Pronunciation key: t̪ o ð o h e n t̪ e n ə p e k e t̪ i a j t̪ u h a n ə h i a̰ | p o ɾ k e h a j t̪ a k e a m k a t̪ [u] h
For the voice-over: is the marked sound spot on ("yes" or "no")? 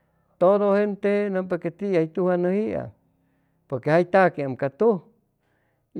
yes